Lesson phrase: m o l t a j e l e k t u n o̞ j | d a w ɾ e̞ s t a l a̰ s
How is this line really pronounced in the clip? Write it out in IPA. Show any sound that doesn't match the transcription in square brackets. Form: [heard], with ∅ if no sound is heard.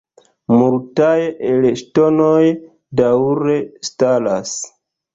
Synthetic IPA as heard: m [u] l t a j e l e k t [o] n o̞ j | d a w ɾ e̞ s t a l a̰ s